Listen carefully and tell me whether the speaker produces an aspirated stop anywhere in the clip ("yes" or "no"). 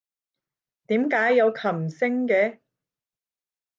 yes